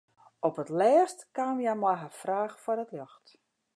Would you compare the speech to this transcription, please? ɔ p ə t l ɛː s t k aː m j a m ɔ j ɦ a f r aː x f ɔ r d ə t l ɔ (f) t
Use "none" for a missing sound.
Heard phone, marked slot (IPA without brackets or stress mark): x